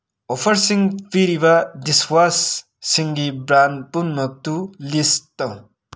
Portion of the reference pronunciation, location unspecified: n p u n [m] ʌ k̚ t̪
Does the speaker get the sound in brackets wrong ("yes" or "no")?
no